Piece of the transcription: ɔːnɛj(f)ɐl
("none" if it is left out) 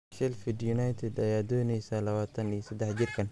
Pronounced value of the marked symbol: s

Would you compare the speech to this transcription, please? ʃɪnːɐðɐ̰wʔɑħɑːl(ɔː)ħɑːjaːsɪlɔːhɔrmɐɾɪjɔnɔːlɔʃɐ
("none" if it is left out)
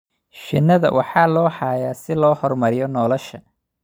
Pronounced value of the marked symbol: ɔː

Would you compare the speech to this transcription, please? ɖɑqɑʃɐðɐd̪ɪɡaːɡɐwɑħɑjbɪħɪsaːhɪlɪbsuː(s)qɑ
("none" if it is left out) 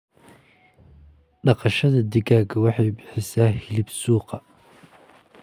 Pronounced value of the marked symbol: none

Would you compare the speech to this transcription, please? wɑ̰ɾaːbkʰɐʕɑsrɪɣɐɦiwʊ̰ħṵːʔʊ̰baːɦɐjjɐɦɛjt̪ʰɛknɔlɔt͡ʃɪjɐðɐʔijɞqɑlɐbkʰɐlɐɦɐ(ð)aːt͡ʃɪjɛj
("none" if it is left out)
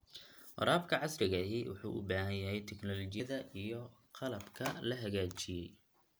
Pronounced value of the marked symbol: ɣ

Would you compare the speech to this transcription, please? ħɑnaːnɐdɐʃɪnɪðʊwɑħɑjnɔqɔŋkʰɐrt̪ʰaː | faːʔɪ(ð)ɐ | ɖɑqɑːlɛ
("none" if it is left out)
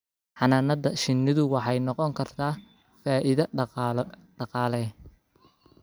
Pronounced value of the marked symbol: ð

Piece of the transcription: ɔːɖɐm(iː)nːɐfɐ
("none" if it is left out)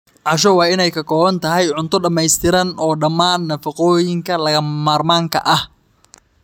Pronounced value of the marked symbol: aː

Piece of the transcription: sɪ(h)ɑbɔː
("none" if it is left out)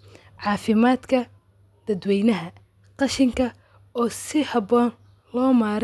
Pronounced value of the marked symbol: h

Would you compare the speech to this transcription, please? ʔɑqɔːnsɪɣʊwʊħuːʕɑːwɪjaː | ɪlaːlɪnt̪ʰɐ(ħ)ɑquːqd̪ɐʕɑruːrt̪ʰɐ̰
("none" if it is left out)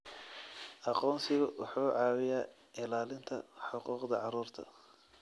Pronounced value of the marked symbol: ħ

